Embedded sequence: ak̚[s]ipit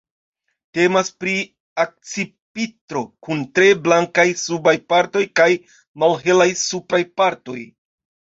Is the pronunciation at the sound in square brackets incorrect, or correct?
incorrect